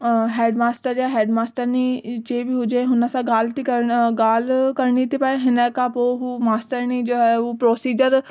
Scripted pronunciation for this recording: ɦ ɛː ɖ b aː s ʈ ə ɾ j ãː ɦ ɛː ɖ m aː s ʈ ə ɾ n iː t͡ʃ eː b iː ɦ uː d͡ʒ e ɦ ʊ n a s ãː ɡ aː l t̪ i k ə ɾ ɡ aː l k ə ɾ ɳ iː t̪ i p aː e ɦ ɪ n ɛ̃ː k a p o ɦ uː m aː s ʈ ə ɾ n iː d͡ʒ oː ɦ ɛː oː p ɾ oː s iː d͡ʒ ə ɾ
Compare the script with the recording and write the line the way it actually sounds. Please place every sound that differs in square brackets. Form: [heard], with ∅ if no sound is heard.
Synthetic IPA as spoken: ɦ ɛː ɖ [m] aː s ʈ ə ɾ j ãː ɦ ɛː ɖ m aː s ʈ ə ɾ n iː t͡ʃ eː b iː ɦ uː d͡ʒ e ɦ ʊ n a s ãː ɡ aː l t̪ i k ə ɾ ɡ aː l k ə ɾ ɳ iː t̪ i p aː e ɦ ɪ n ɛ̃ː k a p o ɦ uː m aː s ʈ ə ɾ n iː d͡ʒ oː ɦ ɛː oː p ɾ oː s iː d͡ʒ ə ɾ